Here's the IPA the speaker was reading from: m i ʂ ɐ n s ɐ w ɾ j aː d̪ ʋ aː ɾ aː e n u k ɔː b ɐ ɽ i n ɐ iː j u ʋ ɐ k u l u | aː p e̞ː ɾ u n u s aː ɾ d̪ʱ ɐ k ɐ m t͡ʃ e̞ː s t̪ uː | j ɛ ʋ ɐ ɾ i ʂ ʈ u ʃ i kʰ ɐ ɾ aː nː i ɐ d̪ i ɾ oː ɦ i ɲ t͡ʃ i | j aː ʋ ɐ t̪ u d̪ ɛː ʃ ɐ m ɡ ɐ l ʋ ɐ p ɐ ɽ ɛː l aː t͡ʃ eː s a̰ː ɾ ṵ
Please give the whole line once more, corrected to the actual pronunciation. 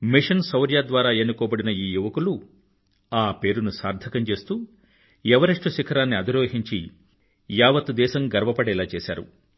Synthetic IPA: m i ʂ ɐ n s ɐ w ɾ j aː d̪ ʋ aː ɾ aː e n u k ɔː b ɐ ɽ i n ɐ iː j u ʋ ɐ k u l u | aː p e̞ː ɾ u n u s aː ɾ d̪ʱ ɐ k ɐ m t͡ʃ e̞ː s t̪ uː | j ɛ ʋ ɐ ɾ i ʂ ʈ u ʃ i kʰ ɐ ɾ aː nː i ɐ d̪ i ɾ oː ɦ i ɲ t͡ʃ i | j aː ʋ ɐ t̪ u d̪ ɛː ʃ ɐ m ɡ ɐ ɾ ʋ ɐ p ɐ ɽ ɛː l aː t͡ʃ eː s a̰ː ɾ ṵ